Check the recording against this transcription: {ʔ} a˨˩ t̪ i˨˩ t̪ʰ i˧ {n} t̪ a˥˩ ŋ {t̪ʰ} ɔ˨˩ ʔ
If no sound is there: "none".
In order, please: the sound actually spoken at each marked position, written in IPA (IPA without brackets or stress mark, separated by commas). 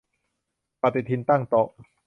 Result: p, n, t̪